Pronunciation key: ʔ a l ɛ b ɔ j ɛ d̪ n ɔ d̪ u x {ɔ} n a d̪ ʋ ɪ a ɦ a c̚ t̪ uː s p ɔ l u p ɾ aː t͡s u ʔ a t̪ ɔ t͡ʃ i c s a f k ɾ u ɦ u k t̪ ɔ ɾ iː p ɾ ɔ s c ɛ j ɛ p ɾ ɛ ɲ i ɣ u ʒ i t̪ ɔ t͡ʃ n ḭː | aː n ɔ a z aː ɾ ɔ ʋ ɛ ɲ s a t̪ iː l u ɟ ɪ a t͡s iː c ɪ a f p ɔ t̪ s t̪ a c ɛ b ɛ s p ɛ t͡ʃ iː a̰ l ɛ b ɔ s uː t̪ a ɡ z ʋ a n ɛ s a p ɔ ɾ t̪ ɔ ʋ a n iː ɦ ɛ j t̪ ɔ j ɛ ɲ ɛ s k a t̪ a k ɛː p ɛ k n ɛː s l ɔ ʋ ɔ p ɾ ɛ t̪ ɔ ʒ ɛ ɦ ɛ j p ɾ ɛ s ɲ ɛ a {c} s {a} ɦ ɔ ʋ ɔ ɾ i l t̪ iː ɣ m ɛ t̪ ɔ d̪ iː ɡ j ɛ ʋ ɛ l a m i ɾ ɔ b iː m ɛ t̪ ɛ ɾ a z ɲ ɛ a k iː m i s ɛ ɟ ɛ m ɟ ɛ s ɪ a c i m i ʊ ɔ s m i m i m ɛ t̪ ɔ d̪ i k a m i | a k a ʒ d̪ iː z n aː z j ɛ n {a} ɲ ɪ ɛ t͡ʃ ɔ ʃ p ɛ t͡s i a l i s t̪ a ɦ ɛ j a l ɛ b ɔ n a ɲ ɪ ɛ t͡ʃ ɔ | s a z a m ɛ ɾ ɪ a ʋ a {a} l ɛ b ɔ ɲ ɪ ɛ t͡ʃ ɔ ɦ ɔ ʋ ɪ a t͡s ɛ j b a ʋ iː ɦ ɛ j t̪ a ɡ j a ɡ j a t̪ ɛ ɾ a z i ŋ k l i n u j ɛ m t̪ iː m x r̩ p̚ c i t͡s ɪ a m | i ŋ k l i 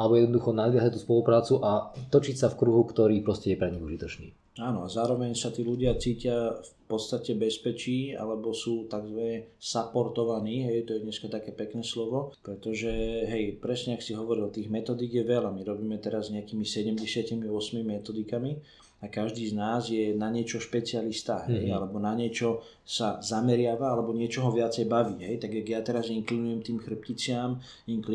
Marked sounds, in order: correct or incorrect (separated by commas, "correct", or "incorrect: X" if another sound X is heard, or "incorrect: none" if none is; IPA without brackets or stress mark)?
correct, incorrect: k, incorrect: i, correct, correct